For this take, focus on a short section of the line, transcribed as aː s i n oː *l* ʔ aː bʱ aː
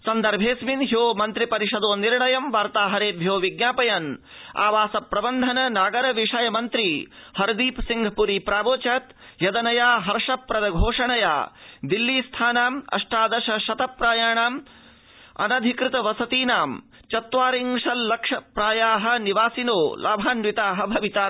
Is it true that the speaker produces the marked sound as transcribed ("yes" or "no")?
yes